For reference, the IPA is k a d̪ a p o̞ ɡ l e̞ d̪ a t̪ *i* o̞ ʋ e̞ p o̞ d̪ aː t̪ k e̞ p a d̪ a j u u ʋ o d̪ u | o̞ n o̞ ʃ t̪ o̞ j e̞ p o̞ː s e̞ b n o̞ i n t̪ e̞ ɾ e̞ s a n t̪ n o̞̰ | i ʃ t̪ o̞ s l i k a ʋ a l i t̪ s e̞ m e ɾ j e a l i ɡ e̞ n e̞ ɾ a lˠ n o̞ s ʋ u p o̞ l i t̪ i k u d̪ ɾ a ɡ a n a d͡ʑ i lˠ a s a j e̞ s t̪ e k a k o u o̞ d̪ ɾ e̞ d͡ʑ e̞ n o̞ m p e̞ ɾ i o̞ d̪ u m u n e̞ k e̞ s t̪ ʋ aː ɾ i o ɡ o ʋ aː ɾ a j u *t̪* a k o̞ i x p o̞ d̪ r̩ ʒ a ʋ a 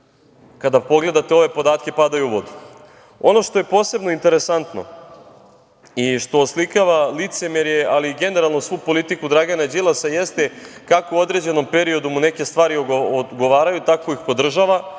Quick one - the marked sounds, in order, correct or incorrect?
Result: incorrect: e, correct

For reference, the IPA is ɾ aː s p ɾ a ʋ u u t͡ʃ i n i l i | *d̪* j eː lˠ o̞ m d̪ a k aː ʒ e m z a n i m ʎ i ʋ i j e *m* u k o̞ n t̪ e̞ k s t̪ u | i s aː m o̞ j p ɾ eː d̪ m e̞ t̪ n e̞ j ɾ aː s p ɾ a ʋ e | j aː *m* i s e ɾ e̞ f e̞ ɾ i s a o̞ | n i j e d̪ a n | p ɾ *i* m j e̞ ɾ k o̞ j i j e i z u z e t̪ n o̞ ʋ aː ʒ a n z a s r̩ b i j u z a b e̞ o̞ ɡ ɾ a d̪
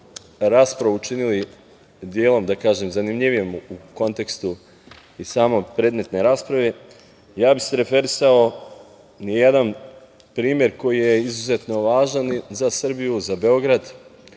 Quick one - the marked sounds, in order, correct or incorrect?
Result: correct, correct, incorrect: b, incorrect: iː

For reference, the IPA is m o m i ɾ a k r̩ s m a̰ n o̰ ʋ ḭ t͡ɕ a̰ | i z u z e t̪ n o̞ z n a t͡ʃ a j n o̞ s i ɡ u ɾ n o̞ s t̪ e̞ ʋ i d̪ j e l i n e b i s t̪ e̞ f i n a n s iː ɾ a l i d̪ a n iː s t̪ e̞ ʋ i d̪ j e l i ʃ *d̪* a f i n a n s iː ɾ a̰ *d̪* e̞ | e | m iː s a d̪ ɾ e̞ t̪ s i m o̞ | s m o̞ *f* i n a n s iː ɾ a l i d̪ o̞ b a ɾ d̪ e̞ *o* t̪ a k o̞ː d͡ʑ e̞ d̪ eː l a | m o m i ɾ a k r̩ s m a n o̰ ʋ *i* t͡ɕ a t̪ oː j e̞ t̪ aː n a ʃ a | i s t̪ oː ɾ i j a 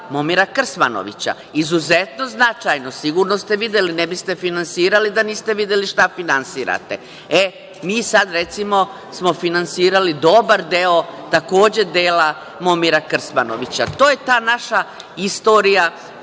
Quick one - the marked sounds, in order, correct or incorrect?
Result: incorrect: t̪, incorrect: t̪, correct, correct, correct

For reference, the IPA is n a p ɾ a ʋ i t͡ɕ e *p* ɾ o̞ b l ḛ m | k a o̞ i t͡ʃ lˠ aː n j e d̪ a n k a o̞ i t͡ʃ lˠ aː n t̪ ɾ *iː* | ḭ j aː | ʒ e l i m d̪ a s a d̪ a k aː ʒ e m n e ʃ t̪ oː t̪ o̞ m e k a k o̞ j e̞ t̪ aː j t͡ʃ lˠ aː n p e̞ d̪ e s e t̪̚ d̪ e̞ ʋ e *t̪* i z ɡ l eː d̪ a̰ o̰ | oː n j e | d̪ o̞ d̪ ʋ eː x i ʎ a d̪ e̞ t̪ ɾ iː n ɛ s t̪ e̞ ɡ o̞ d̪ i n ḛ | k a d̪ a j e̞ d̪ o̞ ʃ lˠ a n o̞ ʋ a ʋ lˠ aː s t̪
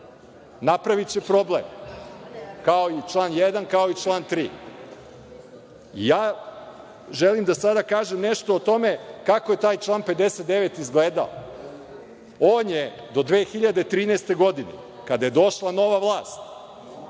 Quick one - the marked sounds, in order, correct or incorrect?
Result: correct, correct, correct

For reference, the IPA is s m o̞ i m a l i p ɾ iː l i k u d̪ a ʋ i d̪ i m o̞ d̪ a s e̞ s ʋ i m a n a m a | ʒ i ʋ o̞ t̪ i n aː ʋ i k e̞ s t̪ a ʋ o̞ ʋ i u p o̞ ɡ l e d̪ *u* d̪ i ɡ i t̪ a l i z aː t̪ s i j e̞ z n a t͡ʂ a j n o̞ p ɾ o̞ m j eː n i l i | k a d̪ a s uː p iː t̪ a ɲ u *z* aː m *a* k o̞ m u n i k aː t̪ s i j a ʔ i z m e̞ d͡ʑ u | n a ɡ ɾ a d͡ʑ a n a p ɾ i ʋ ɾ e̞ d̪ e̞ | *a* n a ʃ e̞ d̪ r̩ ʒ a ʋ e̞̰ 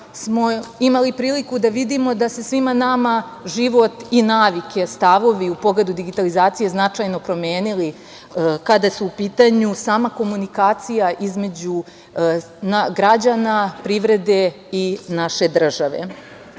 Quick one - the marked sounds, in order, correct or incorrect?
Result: correct, incorrect: s, correct, incorrect: i

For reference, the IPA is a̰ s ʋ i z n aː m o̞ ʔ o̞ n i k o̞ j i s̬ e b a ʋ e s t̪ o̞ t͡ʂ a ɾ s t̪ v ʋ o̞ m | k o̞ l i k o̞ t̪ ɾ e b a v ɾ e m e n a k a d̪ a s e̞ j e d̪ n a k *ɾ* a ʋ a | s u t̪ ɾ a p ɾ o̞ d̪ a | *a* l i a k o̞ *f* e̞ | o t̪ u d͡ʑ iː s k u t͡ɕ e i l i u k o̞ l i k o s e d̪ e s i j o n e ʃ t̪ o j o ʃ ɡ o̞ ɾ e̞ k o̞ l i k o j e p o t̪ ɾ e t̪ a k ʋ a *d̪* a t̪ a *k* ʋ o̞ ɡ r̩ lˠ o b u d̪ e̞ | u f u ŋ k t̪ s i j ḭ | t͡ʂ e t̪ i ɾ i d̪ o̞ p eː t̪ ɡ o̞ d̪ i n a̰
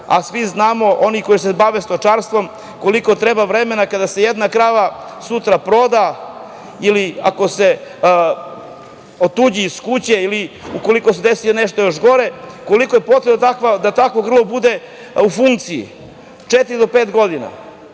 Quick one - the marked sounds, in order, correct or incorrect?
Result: correct, incorrect: i, incorrect: s, correct, correct

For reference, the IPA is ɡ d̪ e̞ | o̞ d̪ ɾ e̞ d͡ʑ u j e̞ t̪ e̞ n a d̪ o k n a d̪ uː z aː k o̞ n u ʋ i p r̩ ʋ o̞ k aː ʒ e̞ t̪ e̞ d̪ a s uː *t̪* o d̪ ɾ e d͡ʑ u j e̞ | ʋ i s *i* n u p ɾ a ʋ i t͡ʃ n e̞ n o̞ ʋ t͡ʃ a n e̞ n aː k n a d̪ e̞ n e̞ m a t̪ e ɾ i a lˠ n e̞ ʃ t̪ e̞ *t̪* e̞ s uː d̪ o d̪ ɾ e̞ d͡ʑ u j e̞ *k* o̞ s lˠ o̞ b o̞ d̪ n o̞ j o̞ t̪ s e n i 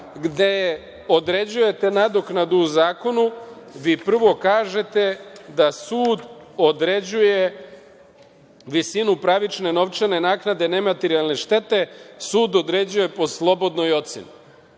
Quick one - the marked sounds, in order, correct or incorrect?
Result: incorrect: d̪, correct, correct, incorrect: p

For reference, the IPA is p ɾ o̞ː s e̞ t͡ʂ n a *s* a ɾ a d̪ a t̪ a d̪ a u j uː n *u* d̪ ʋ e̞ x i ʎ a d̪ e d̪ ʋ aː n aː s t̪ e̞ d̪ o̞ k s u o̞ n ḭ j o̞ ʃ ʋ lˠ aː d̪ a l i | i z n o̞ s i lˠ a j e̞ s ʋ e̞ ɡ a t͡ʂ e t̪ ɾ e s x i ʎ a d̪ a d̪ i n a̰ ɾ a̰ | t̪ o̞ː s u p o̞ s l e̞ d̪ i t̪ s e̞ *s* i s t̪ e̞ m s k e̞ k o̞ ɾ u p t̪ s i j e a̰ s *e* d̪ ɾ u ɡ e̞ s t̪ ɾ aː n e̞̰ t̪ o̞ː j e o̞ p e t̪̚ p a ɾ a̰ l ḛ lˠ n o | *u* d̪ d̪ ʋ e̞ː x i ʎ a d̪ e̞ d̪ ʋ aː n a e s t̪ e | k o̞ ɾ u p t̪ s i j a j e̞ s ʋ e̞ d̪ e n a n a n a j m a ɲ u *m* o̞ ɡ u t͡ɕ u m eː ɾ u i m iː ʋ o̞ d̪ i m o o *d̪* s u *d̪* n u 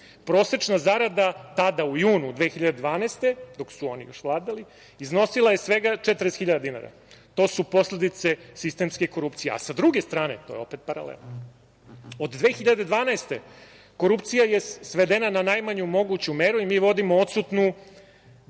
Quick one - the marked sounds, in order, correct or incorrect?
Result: incorrect: z, correct, correct, incorrect: a, incorrect: o, correct, incorrect: t̪, incorrect: t̪

